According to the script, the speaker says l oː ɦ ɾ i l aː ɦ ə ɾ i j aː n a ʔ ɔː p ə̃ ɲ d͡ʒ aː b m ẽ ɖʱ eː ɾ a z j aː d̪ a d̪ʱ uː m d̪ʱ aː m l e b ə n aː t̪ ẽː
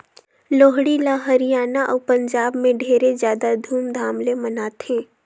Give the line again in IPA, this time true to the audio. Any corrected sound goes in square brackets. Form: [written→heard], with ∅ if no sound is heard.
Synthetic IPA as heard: l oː ɦ [ɾ→ɽ] i l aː ɦ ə ɾ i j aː n a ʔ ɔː p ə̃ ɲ d͡ʒ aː b m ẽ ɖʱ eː ɾ [a→e] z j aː d̪ a d̪ʱ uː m d̪ʱ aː m l e [b→m] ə n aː t̪ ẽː

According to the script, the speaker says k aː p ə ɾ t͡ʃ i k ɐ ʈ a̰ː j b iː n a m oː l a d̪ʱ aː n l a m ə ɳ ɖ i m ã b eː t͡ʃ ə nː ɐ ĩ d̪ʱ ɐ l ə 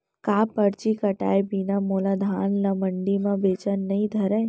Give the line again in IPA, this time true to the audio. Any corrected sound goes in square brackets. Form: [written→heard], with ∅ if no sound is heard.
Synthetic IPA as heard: k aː p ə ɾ t͡ʃ i k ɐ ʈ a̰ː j b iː n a m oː l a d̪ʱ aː n l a m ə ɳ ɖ i m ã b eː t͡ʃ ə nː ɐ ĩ d̪ʱ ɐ [l→ɾ] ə

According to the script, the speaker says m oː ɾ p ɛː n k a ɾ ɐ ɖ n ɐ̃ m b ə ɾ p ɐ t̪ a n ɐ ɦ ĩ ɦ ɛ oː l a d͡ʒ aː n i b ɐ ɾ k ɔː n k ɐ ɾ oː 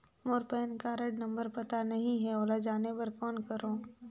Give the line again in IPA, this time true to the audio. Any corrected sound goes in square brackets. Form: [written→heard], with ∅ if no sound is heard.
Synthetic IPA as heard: m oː ɾ p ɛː n k a ɾ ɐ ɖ n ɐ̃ m b ə ɾ p ɐ t̪ a n ɐ ɦ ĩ ɦ ɛ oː l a d͡ʒ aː n [i→e] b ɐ ɾ k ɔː n k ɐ ɾ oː

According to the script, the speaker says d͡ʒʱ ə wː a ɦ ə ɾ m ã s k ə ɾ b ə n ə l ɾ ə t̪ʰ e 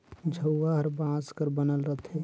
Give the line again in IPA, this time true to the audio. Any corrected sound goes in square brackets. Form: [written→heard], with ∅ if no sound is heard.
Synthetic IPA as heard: d͡ʒʱ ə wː a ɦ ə ɾ [m→b] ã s k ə ɾ b ə n ə l ɾ ə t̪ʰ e

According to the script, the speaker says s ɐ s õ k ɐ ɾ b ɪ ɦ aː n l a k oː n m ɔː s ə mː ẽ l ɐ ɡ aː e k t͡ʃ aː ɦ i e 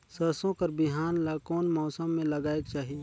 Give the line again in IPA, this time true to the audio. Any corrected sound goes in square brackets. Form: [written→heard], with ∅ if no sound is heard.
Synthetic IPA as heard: s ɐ s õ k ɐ ɾ b ɪ ɦ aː n l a k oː n m ɔː s ə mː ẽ l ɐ ɡ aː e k t͡ʃ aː ɦ i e

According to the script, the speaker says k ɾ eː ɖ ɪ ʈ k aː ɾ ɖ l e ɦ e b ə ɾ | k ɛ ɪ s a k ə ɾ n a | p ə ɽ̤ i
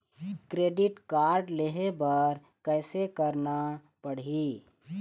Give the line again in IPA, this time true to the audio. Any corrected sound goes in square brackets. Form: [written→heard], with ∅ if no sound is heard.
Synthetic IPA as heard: k ɾ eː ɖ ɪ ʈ k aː ɾ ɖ l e ɦ e b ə ɾ | k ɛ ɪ s [a→e] k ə ɾ n a | p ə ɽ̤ i

